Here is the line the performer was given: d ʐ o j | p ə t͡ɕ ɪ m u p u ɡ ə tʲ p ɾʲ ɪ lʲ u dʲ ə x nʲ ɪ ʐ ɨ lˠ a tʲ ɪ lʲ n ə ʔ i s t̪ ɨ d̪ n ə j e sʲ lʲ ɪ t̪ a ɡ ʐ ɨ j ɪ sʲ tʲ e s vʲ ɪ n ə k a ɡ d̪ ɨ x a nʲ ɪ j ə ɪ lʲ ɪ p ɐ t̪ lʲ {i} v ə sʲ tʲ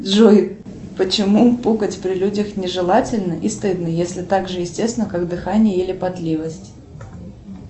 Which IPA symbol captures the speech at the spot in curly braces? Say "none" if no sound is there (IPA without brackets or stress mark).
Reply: i